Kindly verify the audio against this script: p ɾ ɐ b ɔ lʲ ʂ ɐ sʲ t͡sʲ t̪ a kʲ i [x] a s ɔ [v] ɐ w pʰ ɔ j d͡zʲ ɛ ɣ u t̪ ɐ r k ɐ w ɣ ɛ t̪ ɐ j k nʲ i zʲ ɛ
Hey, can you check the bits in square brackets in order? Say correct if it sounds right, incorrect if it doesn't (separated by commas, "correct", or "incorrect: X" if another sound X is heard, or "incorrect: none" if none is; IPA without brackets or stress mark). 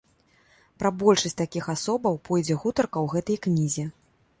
correct, incorrect: b